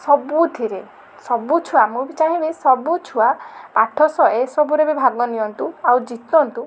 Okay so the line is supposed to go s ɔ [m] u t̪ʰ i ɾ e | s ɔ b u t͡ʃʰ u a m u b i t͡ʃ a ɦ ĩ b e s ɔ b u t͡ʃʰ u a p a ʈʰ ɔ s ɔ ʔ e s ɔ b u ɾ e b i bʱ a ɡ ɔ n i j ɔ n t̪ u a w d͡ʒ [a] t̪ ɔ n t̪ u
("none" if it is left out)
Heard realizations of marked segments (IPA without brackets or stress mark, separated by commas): b, i